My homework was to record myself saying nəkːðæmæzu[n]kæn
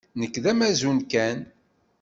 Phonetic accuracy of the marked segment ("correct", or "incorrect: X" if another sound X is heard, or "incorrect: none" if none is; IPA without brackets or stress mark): correct